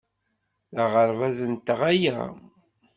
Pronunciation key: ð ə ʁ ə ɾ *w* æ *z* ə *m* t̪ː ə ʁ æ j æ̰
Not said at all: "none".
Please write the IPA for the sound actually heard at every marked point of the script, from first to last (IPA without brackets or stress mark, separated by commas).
v, z, n